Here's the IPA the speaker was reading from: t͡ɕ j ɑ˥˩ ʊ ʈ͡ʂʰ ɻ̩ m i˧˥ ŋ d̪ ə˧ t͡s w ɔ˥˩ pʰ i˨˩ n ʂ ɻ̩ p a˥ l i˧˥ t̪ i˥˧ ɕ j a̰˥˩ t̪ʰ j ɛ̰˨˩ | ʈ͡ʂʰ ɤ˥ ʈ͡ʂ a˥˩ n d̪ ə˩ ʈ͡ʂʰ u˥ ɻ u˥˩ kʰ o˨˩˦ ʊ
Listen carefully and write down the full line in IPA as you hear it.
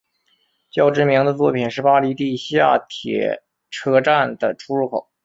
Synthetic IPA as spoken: t͡ɕ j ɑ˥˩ ʊ ʈ͡ʂ ɻ̩ m i˧˥ ŋ d̪ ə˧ t͡s w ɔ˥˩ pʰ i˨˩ n ʂ ɻ̩ p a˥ l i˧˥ t̪ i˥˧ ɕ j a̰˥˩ t̪ʰ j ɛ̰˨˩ | ʈ͡ʂʰ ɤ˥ ʈ͡ʂ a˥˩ n d̪ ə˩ ʈ͡ʂʰ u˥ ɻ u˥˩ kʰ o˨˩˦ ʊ

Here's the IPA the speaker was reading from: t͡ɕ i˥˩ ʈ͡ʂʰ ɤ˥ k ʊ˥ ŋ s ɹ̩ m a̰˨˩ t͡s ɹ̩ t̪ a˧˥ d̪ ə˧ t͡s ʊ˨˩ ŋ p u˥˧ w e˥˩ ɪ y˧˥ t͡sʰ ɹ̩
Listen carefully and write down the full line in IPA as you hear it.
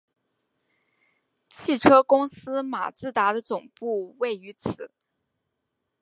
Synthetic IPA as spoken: t͡ɕʰ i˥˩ ʈ͡ʂʰ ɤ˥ k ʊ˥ ŋ s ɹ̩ m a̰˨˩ t͡s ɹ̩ t̪ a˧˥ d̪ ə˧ t͡s ʊ˨˩ ŋ p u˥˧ w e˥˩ ɪ y˧˥ t͡sʰ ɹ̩

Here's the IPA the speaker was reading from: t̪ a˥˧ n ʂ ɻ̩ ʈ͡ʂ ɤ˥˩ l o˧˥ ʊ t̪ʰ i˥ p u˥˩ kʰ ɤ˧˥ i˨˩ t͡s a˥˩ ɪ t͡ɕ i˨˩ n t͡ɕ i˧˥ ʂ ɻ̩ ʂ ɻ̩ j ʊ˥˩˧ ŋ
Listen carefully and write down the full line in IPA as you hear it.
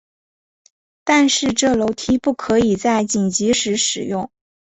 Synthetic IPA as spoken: t̪ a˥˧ n ʂ ɻ̩ ʈ͡ʂ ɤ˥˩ l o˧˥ ʊ t̪ʰ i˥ p u˥˩ kʰ ɤ˧˥ i˨˩ t͡s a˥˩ ɪ t͡ɕ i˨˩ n t͡ɕ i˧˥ ʂ ɻ̩ ʂ ɻ̩ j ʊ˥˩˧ ŋ

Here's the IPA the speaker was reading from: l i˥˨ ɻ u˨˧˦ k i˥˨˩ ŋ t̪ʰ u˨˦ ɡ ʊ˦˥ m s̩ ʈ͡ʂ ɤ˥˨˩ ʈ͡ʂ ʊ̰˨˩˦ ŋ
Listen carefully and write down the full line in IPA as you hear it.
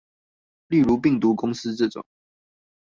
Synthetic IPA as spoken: l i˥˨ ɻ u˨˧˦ p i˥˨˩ ŋ t̪ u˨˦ k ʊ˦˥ ŋ s̩ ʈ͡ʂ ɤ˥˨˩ ʈ͡ʂ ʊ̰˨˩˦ ŋ

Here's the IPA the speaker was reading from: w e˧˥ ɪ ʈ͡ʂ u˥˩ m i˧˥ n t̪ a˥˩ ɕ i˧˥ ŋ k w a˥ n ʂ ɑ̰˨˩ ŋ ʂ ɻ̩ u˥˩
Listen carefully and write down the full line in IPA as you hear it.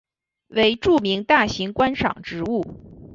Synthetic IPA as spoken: w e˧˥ ɪ ʈ͡ʂ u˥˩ m i˧˥ ŋ t̪ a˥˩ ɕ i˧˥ ŋ k w a˥ n ʂ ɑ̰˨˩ ŋ ʈ͡ʂ ɻ̩ u˥˩

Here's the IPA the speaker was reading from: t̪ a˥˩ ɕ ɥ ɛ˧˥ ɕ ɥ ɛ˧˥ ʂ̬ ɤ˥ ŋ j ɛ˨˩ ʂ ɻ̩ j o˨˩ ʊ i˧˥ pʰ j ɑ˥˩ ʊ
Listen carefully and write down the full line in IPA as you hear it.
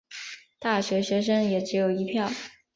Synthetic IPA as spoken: t̪ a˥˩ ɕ ɥ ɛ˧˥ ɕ ɥ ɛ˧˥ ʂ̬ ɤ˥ ŋ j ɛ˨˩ ʈ͡ʂ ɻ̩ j o˨˩ ʊ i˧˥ pʰ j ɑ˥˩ ʊ

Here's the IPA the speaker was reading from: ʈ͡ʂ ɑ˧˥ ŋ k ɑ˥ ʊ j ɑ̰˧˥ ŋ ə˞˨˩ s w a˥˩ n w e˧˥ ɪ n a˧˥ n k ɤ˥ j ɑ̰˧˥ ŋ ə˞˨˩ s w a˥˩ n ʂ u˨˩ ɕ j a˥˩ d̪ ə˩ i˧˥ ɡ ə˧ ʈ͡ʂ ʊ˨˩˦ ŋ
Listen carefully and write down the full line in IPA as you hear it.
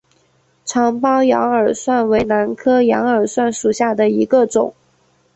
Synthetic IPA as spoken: ʈ͡ʂʰ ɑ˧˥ ŋ p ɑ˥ ʊ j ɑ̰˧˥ ŋ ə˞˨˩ s w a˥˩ n w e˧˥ ɪ n a˧˥ n kʰ ɤ˥ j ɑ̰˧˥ ŋ ə˞˨˩ s w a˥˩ n ʂ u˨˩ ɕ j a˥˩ d̪ ə˩ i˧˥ ɡ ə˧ ʈ͡ʂ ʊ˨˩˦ ŋ

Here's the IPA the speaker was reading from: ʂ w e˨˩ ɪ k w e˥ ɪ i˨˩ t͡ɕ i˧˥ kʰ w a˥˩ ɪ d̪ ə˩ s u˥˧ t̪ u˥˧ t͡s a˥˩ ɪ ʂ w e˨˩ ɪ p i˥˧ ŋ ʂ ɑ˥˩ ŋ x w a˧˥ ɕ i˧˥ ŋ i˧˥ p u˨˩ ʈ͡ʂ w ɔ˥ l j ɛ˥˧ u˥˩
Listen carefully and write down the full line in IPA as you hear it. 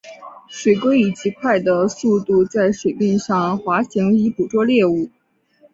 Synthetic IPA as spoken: ʂ w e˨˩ ɪ k w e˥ ɪ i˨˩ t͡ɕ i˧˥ kʰ w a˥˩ ɪ d̪ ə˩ s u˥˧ t̪ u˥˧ t͡s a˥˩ ɪ ʂ w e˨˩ ɪ p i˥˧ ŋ ʂ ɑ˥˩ ŋ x w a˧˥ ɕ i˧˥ ŋ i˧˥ p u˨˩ ʈ͡ʂ w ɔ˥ l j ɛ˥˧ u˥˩

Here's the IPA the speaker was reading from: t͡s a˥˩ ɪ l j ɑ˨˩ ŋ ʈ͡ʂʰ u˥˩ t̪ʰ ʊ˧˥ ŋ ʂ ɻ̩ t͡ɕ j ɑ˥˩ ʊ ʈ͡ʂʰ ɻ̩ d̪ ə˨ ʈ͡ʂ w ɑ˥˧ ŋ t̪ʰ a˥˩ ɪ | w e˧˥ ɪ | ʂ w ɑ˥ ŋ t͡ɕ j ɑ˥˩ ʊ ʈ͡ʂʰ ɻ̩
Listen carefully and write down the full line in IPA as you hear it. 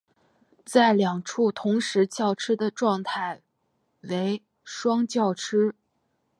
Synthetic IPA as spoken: t͡s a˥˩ ɪ l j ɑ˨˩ ŋ ʈ͡ʂʰ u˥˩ t̪ʰ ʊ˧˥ ŋ ʂ ɻ̩ t͡ɕ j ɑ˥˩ ʊ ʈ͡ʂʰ ɻ̩ d̪ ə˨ ʈ͡ʂ w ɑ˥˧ ŋ t̪ʰ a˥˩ ɪ | w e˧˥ ɪ | ʂ w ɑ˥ ŋ t͡ɕ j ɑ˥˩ ʊ ʈ͡ʂʰ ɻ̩

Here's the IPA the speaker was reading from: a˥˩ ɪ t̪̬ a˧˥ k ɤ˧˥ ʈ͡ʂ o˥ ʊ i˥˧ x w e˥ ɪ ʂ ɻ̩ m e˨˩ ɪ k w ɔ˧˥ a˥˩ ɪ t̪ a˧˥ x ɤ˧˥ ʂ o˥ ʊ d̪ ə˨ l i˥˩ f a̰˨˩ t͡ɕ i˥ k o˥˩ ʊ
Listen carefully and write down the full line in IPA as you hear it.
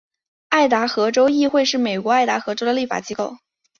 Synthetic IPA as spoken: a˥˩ ɪ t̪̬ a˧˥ x ɤ˧˥ ʈ͡ʂ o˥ ʊ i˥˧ x w e˥˧ ɪ ʂ ɻ̩ m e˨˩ ɪ k w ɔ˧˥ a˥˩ ɪ t̪ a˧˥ x ɤ˧˥ ʈ͡ʂ o˥ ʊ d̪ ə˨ l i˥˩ f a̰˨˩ t͡ɕ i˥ k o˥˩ ʊ

